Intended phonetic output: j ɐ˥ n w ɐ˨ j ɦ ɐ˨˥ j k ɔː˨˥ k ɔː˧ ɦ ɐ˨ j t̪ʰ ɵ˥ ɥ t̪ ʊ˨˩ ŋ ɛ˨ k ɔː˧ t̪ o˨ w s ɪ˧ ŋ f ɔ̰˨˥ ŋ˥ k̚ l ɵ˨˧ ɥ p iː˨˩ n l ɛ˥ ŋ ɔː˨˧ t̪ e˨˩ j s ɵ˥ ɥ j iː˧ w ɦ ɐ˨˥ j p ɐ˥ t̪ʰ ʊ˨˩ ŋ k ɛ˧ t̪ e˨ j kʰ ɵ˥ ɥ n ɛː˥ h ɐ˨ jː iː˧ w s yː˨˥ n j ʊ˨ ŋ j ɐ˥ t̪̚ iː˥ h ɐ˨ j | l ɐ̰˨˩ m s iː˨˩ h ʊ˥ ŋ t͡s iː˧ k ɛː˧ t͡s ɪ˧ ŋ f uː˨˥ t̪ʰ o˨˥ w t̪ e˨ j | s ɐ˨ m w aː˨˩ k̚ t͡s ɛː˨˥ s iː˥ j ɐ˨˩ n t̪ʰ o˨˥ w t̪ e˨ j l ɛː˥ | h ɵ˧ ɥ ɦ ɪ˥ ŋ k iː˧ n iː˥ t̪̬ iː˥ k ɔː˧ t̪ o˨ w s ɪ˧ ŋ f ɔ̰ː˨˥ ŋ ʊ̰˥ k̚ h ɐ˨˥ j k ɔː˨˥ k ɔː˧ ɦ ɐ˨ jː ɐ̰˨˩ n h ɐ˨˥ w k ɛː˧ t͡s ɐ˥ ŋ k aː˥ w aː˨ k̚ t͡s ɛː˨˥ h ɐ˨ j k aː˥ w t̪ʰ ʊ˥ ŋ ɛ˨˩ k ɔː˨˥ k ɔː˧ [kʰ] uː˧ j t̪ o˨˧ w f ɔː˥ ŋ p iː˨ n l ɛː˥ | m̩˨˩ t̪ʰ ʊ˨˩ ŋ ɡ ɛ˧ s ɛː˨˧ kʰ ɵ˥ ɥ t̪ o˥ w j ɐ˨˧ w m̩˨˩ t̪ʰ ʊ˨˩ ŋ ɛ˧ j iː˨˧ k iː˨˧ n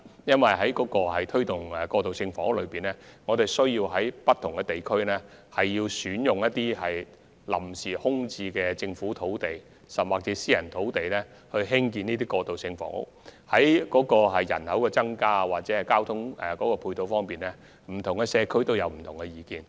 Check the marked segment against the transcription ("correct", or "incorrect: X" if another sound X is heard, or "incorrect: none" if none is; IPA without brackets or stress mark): incorrect: pʰ